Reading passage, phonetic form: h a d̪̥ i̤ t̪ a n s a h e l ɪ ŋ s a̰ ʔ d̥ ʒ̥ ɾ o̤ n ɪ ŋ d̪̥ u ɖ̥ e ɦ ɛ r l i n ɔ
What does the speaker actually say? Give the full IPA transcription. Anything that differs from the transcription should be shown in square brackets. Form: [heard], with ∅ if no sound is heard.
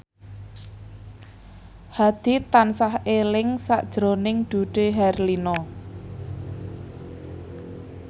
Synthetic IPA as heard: h a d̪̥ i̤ t̪ a n s a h e l ɪ ŋ s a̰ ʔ d̥ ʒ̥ ɾ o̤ n ɪ ŋ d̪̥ u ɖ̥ e ɦ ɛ r l i n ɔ